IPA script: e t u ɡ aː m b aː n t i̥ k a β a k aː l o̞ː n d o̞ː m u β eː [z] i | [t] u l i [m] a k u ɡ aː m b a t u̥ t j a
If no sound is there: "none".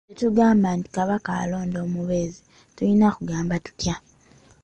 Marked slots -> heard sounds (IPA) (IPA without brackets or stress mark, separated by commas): z, t, n